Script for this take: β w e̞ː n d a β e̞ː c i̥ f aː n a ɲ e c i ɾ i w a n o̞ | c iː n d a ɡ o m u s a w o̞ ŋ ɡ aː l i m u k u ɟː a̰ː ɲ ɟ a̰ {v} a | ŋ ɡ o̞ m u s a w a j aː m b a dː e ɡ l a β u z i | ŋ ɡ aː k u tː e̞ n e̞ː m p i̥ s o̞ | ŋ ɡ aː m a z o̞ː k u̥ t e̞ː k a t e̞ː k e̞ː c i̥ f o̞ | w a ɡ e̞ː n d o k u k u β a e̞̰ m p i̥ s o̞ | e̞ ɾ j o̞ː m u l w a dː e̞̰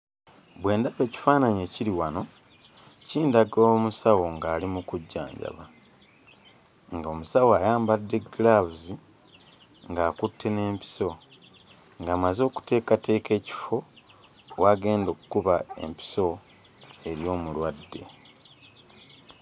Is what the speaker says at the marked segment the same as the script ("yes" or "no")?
no